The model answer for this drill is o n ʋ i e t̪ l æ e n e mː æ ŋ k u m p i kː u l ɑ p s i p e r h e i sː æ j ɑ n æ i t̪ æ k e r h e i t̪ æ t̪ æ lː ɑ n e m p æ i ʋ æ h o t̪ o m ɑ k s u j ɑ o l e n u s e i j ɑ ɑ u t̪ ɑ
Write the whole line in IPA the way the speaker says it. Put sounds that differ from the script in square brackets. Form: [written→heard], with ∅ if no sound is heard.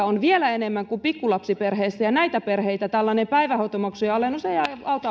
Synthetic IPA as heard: o n ʋ i e [t̪→∅] l æ e n e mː æ ŋ k u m p i kː u l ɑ p s i p e r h e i sː æ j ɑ n æ i t̪ æ [k→p] e r h e i t̪ æ t̪ æ lː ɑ n e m p æ i ʋ æ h o t̪ o m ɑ k s u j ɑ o l e n u s e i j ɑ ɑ u t̪ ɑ